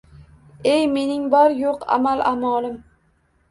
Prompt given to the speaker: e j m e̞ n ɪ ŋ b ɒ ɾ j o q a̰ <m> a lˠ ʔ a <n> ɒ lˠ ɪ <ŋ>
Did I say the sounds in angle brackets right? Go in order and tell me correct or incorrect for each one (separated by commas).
correct, incorrect, incorrect